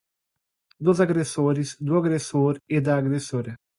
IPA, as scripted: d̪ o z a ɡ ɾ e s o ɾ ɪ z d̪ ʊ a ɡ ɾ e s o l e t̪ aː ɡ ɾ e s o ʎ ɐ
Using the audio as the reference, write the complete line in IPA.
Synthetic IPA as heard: d̪ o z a ɡ ɾ e s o ɾ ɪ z d̪ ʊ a ɡ ɾ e s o ɾ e d̪ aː ɡ ɾ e s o ɾ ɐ